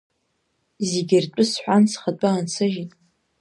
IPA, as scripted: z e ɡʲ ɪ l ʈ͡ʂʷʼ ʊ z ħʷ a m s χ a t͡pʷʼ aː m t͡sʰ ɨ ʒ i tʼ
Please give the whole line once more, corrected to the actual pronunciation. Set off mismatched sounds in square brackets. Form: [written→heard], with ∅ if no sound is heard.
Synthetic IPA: z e ɡʲ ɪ [l→r] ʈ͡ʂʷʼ ʊ [z→s] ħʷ a [m→n] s χ a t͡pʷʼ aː [m→n] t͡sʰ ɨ ʒ i tʼ